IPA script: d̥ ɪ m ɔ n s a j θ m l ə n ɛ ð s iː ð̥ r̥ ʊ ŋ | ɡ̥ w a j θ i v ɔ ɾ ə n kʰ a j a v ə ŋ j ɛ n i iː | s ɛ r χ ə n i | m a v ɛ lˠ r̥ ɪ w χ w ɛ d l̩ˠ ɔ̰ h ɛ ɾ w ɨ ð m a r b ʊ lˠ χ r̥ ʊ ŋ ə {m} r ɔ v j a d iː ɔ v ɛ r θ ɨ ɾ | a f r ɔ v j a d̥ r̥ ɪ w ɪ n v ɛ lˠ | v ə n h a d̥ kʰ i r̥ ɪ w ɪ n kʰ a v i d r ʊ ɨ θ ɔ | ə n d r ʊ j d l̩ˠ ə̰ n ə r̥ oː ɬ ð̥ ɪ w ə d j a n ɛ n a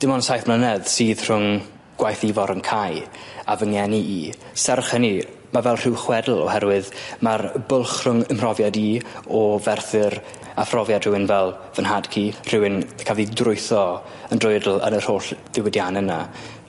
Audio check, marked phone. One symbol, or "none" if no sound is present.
m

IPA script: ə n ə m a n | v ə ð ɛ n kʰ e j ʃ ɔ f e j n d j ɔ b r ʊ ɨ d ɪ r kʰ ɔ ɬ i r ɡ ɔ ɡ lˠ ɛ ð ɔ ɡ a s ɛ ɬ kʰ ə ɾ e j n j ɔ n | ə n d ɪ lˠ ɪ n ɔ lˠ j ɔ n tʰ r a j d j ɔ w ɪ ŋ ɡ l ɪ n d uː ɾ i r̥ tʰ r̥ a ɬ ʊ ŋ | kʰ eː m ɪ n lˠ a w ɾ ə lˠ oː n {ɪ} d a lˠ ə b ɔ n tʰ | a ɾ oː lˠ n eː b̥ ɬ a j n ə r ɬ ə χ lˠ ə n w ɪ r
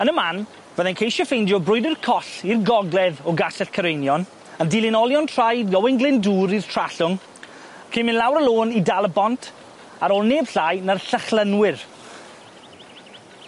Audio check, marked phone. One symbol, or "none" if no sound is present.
i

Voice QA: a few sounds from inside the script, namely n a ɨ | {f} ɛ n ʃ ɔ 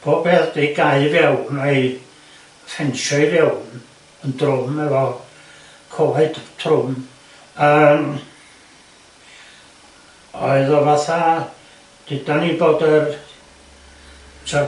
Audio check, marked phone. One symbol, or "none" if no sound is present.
f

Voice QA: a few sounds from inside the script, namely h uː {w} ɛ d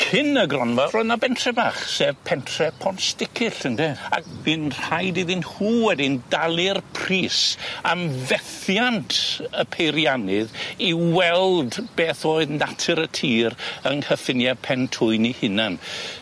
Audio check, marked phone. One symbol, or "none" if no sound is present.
w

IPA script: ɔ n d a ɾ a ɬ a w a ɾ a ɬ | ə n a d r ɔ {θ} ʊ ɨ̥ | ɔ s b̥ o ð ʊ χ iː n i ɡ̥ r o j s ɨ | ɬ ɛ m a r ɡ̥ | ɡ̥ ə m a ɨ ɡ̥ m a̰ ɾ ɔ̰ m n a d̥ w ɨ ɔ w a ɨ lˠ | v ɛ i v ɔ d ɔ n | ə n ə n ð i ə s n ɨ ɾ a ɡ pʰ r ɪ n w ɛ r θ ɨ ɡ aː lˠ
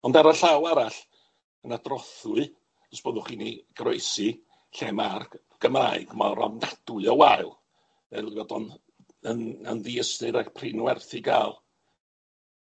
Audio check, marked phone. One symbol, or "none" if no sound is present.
θ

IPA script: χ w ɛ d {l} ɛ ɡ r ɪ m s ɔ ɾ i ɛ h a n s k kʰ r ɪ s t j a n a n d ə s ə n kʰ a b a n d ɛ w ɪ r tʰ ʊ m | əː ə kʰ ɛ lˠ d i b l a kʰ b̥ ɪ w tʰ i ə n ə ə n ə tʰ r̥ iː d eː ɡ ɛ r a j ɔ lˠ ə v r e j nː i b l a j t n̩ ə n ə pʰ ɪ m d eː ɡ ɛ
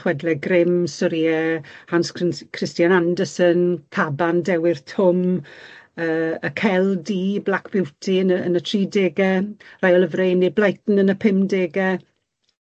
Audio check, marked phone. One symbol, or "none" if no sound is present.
l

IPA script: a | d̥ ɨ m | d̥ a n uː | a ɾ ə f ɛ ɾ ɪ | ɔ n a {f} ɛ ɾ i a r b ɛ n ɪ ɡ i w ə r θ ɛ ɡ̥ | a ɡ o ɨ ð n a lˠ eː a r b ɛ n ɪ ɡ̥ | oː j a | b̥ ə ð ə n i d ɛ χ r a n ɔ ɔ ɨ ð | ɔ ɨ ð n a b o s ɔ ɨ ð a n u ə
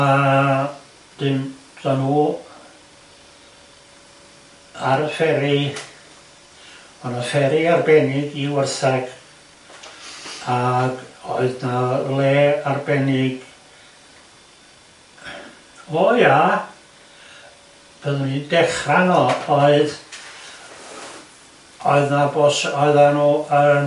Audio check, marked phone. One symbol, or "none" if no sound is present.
f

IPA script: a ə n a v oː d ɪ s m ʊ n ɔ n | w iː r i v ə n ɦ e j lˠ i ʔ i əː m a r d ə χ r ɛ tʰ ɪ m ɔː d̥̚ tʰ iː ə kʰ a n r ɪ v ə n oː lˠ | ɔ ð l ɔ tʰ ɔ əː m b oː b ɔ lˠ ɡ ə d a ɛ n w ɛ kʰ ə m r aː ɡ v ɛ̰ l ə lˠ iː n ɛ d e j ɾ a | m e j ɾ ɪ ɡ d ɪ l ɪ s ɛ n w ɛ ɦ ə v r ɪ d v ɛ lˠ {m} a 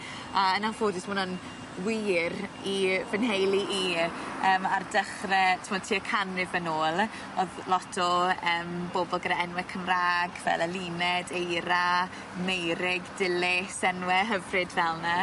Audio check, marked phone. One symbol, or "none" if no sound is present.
n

